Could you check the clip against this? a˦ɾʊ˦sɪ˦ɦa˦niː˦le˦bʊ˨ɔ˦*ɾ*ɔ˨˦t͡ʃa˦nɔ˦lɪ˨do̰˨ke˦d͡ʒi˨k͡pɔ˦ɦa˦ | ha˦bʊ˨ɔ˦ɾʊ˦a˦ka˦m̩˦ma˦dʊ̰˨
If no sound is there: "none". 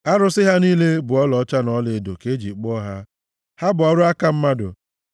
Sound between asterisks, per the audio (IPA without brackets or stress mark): l